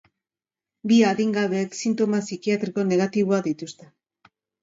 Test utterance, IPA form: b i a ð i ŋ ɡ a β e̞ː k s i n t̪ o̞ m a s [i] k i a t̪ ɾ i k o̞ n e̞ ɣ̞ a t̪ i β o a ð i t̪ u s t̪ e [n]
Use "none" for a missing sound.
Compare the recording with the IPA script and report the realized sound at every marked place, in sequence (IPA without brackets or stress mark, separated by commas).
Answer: i, none